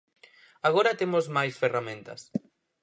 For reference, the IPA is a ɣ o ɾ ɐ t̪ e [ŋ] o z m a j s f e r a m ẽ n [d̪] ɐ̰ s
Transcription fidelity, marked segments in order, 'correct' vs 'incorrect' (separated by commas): incorrect, incorrect